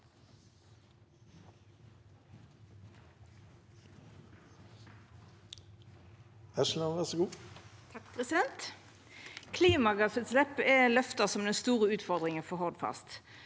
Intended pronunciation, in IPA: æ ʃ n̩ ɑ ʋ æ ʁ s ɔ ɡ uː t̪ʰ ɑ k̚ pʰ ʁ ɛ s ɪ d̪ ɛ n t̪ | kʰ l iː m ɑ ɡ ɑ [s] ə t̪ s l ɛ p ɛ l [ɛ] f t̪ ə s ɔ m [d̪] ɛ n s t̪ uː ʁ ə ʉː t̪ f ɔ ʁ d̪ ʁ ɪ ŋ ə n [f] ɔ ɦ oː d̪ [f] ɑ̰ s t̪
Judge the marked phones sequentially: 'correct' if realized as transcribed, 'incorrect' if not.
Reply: correct, incorrect: œ, correct, correct, correct

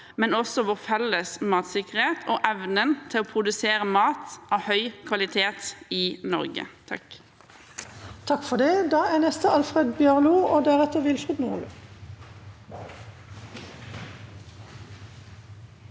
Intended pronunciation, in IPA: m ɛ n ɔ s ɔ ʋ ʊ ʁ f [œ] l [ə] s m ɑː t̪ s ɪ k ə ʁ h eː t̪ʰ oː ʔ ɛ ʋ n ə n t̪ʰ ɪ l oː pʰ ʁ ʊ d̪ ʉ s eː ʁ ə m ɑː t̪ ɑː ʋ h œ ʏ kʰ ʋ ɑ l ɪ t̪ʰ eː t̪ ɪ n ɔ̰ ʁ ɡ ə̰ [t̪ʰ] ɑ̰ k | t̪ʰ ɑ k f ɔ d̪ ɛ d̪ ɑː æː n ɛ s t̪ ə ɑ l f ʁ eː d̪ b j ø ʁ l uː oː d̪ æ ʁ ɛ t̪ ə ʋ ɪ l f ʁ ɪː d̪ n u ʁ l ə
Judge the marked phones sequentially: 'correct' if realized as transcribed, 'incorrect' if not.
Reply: incorrect: ɛ, correct, correct

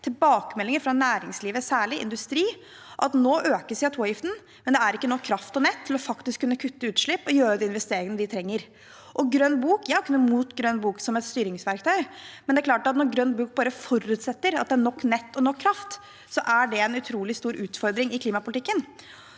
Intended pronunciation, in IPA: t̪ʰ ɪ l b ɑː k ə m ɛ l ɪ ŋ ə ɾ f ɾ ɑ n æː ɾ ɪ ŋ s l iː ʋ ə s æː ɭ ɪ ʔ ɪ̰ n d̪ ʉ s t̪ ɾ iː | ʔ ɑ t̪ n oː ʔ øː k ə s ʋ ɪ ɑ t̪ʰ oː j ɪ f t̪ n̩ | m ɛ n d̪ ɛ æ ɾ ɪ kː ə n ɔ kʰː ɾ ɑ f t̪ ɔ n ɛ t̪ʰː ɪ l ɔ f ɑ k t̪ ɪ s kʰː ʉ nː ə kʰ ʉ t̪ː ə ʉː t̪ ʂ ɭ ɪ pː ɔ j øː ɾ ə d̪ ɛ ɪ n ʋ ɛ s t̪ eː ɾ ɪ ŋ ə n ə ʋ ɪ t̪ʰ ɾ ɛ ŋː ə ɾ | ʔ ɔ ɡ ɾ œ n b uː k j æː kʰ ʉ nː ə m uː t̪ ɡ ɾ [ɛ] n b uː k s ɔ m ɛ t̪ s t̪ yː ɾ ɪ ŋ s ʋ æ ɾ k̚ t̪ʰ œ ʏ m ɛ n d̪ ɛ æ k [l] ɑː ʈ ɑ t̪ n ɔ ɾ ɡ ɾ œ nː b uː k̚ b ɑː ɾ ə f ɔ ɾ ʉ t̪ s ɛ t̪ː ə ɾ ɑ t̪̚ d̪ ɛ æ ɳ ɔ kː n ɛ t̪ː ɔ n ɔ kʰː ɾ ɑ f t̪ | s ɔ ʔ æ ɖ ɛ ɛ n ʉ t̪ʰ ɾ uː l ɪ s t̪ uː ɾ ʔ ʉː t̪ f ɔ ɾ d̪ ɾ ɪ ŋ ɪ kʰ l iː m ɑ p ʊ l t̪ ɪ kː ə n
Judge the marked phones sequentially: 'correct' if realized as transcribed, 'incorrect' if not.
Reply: incorrect: œ, correct

